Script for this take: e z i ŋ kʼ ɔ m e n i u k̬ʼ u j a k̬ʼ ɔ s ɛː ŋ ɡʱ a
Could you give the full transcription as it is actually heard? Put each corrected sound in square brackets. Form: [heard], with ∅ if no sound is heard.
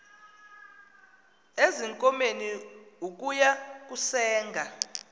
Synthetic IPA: e z i ŋ kʼ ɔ m e n i u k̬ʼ u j a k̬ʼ [u] s ɛː ŋ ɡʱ a